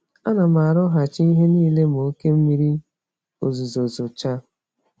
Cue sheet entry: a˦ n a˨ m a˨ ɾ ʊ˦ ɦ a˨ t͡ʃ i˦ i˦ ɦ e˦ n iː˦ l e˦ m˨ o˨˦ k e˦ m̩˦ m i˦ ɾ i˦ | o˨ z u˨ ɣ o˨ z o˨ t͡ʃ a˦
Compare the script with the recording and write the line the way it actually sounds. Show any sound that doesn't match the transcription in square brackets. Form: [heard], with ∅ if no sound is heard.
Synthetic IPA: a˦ n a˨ m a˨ ɾ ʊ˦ ɦ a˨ t͡ʃ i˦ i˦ ɦ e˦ n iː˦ l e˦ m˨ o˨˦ k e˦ m̩˦ m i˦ ɾ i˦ | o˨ z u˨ [z] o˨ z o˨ t͡ʃ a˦